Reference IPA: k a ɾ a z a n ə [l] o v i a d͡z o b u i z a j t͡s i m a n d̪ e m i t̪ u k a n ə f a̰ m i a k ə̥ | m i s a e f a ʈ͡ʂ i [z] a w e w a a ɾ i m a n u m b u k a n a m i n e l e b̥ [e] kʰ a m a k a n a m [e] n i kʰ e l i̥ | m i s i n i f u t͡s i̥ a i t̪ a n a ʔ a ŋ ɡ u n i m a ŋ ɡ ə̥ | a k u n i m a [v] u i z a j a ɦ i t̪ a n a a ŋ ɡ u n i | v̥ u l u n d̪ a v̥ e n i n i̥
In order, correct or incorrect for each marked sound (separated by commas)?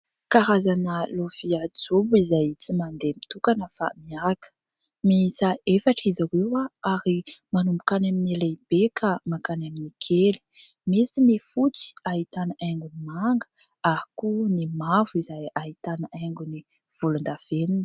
correct, correct, correct, incorrect, correct